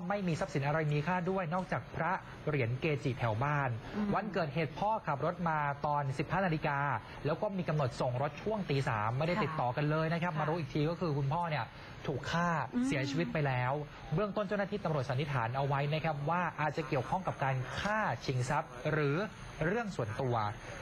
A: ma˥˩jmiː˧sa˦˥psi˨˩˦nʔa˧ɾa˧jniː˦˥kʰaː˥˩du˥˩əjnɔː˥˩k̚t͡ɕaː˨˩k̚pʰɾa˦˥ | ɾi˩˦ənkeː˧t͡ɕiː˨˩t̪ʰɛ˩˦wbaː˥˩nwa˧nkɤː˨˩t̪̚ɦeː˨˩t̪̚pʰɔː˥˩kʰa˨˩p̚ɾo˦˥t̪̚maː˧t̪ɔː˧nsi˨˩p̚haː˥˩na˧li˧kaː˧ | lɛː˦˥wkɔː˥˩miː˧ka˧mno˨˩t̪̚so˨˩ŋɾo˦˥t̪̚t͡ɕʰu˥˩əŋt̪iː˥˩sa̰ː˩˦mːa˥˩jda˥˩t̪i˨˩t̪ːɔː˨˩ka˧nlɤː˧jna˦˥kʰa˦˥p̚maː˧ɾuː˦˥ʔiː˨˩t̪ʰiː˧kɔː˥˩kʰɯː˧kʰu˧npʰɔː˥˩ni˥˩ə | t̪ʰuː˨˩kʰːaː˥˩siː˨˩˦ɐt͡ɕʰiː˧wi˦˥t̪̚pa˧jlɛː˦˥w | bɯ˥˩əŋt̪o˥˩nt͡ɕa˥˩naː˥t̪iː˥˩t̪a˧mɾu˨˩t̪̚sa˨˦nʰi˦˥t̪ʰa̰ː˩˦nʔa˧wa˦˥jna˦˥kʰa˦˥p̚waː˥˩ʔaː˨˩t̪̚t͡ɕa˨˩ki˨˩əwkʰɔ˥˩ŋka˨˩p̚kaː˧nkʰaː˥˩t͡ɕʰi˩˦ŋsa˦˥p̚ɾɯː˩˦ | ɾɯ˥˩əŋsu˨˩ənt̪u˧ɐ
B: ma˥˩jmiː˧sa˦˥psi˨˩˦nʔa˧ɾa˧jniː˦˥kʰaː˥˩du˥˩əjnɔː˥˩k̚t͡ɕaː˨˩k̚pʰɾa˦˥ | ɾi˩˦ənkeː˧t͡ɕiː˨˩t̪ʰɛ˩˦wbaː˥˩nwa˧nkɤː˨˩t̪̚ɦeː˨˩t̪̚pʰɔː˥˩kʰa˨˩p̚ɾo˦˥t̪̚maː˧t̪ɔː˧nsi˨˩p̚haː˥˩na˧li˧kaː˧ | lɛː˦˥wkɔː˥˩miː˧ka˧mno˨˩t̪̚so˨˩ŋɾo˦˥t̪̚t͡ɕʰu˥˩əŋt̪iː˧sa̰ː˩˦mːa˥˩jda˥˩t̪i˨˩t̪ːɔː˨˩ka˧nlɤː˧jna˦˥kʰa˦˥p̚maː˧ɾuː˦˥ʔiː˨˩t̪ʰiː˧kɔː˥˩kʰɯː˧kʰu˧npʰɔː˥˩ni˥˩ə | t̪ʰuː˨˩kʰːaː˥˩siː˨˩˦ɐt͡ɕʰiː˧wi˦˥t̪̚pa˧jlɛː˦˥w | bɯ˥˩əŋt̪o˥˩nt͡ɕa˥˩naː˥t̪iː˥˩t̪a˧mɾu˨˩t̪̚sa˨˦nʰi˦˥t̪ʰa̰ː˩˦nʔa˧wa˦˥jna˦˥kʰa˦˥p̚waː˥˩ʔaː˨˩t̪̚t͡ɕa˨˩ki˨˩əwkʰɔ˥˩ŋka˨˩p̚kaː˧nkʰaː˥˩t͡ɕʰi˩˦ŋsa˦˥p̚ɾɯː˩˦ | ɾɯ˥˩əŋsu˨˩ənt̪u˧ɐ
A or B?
B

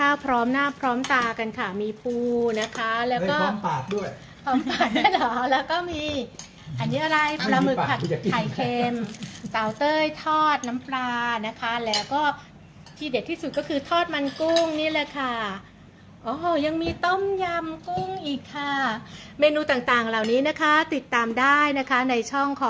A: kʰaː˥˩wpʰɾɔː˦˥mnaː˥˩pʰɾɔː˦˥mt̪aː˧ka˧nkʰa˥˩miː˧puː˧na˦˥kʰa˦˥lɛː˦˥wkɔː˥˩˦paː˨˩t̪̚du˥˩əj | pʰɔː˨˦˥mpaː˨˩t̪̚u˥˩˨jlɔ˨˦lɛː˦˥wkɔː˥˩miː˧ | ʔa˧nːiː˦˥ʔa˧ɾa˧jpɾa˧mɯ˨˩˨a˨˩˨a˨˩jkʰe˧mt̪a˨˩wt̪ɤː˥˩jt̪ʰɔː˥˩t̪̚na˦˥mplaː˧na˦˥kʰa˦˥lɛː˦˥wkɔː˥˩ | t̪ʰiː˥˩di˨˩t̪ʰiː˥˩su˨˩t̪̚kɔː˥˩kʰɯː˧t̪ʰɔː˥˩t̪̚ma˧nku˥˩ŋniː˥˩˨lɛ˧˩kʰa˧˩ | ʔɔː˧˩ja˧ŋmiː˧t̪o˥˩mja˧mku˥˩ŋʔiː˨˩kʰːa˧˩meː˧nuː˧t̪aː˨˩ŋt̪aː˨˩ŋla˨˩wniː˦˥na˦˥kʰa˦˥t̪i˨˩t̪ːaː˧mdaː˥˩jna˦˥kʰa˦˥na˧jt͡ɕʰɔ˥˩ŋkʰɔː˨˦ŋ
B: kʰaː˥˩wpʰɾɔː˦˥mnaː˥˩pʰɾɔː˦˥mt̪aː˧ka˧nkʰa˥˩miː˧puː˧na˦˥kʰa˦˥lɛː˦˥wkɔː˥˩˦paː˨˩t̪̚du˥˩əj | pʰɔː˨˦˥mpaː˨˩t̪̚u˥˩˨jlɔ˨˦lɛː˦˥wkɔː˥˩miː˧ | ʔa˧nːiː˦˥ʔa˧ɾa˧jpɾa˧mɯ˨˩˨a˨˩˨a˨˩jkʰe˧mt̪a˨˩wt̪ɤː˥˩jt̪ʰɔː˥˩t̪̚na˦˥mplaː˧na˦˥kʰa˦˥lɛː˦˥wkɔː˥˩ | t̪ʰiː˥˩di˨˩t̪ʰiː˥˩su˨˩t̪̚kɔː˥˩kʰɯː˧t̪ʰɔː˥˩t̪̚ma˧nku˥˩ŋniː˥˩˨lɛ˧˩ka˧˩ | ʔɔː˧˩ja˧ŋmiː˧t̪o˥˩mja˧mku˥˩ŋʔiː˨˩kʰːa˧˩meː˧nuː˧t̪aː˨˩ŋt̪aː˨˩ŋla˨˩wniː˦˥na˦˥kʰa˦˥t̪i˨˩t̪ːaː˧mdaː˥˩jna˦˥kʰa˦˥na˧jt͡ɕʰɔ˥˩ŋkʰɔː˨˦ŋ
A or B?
A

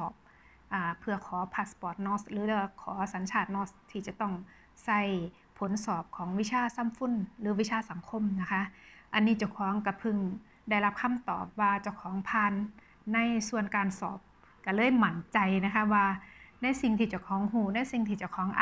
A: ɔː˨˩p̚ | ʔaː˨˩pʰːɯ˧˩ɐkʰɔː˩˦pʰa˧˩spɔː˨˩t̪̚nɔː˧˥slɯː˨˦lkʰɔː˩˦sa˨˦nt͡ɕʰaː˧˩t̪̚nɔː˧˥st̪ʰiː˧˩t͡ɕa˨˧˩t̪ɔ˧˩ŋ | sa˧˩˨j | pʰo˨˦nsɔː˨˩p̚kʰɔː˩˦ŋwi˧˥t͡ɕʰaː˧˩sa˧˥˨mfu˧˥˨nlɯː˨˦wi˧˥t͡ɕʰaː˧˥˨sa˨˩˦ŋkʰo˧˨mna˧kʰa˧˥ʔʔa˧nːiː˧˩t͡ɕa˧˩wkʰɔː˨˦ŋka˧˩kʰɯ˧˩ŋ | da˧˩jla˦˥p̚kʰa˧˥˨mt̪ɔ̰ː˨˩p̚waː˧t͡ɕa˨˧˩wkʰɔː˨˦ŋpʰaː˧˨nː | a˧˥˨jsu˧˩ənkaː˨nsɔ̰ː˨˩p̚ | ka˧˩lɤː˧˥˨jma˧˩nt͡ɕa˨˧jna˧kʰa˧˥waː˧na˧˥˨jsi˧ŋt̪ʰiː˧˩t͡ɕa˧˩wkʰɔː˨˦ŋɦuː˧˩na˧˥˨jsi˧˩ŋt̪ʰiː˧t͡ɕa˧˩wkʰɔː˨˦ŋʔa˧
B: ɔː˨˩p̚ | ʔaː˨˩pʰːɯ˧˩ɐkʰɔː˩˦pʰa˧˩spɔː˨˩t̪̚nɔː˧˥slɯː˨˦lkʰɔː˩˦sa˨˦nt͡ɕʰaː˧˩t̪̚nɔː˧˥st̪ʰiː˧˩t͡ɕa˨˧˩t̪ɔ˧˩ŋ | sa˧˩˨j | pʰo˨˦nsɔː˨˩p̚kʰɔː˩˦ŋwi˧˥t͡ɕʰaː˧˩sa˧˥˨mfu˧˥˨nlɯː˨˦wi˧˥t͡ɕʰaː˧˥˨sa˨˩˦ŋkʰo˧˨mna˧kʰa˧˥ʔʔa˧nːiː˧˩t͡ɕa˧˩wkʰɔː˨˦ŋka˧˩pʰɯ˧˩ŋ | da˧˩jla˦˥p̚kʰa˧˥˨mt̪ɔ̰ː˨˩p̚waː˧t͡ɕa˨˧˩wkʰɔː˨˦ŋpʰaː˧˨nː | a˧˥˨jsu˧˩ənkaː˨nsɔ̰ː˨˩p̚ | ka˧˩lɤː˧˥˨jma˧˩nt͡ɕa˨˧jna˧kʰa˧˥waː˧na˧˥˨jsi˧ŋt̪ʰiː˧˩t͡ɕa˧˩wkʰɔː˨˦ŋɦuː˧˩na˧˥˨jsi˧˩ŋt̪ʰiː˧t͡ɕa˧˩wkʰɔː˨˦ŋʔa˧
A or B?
B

